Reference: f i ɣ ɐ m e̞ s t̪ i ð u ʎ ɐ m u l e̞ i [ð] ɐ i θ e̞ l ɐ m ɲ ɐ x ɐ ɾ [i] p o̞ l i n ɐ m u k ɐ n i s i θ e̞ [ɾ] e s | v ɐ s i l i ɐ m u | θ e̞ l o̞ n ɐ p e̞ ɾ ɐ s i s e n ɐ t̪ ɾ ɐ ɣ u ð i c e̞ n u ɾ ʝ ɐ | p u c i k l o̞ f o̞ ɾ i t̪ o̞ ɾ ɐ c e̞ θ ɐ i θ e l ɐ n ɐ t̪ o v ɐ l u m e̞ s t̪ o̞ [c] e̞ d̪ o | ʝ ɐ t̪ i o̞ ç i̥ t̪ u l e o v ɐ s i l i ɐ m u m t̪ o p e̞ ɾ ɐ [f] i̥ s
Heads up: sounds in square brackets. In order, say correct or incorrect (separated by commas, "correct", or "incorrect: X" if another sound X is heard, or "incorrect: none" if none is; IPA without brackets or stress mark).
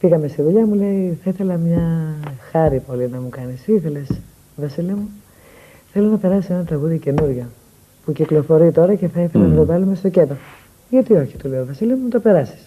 incorrect: θ, correct, incorrect: l, correct, incorrect: s